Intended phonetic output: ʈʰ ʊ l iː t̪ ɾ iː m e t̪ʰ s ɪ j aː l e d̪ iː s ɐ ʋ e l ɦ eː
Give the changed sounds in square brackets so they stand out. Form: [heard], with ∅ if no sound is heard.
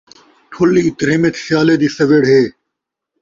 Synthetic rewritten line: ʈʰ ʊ l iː t̪ ɾ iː m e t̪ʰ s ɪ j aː l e d̪ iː s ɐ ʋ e [ɽ] ɦ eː